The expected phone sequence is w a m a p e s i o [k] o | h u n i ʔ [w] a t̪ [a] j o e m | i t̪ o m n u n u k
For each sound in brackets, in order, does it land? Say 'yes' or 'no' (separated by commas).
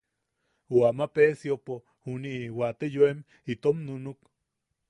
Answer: no, yes, no